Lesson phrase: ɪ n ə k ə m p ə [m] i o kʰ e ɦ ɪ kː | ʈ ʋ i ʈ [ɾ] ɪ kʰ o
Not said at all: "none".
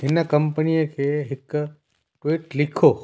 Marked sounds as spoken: n, l

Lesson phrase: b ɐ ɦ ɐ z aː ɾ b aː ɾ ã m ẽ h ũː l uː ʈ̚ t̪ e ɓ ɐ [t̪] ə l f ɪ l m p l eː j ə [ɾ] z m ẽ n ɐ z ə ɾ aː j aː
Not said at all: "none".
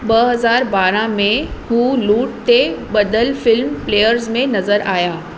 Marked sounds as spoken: d̪, ɾ

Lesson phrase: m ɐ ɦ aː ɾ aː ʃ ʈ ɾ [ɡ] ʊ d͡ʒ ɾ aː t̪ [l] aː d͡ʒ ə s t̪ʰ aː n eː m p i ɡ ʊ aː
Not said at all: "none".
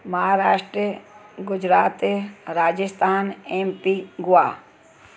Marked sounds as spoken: ɡ, ɾ

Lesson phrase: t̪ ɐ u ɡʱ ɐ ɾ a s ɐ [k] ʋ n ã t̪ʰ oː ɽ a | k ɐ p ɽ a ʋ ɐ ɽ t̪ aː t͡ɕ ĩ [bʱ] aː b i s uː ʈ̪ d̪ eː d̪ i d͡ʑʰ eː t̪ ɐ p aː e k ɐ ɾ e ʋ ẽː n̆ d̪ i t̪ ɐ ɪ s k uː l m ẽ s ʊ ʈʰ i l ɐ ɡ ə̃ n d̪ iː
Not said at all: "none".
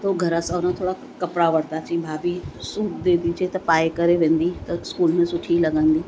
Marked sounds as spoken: none, bʱ

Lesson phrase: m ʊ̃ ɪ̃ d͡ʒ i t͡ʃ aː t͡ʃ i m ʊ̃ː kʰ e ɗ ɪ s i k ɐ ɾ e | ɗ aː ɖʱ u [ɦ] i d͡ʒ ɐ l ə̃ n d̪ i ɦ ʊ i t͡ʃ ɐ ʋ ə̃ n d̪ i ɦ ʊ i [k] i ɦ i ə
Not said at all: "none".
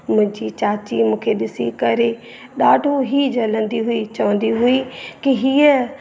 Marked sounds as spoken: ɦ, k

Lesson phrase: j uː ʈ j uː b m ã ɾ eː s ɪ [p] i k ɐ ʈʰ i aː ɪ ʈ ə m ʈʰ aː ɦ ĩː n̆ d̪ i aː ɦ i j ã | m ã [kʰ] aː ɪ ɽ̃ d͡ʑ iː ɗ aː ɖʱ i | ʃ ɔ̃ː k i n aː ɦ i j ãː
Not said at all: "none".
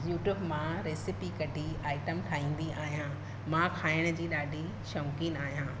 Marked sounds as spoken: p, kʰ

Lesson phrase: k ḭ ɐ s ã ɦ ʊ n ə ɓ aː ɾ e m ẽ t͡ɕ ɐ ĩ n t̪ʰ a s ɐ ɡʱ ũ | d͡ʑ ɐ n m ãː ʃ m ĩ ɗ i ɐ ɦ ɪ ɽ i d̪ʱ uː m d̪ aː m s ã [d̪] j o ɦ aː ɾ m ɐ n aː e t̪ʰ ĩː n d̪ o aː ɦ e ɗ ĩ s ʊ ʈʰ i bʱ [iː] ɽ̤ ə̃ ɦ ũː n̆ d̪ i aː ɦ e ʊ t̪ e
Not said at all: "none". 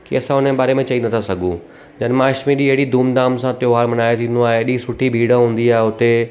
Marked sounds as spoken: t̪, iː

